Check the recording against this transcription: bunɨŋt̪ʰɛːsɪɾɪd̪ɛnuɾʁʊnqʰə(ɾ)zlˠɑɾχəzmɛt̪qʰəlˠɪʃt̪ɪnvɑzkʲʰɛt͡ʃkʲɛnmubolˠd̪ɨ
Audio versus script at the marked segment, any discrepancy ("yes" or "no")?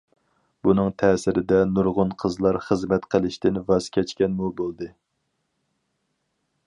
yes